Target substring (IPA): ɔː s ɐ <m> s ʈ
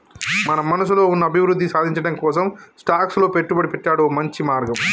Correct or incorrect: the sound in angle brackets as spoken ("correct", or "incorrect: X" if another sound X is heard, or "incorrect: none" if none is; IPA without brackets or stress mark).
correct